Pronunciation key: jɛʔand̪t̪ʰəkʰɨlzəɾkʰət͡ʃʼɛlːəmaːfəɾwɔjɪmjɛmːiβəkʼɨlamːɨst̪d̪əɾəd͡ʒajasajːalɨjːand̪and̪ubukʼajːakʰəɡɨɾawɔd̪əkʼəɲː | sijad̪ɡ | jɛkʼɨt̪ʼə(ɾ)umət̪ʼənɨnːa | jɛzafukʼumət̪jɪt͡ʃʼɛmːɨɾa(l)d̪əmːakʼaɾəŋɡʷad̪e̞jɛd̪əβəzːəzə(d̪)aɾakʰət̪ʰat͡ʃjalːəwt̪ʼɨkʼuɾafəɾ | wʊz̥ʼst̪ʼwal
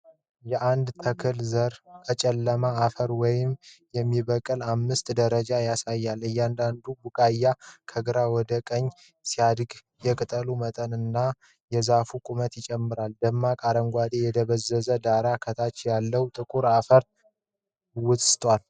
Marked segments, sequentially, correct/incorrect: incorrect: l, correct, correct

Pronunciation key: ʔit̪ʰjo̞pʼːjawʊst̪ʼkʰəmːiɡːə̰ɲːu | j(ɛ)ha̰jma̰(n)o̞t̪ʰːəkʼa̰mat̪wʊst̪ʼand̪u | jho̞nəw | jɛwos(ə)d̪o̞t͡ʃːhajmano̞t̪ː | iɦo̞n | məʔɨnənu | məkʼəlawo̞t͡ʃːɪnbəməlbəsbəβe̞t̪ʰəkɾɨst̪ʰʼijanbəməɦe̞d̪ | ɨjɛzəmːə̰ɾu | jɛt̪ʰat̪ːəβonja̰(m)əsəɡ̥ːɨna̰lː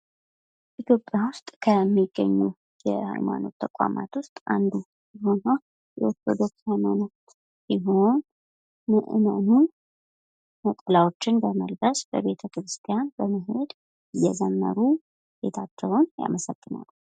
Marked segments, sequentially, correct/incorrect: correct, correct, correct, correct

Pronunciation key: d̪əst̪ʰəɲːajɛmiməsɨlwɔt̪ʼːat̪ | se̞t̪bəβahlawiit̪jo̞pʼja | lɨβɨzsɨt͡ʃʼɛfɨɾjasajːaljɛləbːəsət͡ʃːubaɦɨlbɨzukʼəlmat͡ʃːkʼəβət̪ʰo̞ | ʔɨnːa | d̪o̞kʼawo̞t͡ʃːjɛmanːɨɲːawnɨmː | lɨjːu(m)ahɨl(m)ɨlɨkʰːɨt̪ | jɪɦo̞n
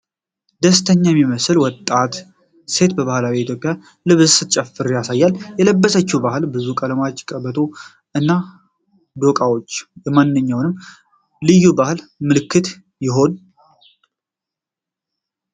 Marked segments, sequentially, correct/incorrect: incorrect: b, correct

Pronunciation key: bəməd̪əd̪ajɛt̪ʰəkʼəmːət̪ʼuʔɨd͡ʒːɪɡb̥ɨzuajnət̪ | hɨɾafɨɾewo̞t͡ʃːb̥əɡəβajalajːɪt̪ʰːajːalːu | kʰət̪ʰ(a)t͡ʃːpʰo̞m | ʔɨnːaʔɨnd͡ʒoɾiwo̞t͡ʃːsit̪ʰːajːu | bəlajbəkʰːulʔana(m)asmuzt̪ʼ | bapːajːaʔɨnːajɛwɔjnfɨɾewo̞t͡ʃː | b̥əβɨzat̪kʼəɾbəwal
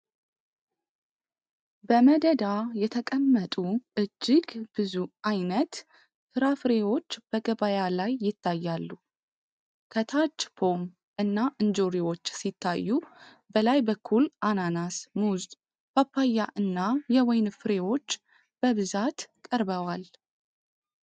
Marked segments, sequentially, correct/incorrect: correct, incorrect: n

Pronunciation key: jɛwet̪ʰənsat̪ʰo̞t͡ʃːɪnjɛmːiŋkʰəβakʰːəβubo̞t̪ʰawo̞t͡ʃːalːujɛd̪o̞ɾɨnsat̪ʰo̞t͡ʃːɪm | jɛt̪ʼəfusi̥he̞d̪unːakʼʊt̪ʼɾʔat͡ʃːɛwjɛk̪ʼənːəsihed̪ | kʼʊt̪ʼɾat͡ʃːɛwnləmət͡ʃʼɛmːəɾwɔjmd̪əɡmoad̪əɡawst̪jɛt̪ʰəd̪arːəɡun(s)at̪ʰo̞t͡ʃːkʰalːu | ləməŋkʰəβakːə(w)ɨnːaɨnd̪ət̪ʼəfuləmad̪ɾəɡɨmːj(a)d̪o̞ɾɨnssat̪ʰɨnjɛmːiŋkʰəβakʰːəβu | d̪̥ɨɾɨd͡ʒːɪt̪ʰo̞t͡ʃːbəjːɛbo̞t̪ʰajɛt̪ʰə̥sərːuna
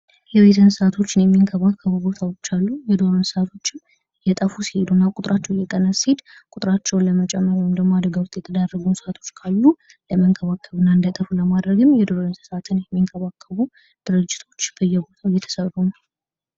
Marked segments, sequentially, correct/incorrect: correct, incorrect: β, incorrect: ɛ

